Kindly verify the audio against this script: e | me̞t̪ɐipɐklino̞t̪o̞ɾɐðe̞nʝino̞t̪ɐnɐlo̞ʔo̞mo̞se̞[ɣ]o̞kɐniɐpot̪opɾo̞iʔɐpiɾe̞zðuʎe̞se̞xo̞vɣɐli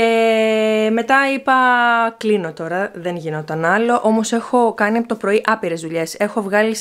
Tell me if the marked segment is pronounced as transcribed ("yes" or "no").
no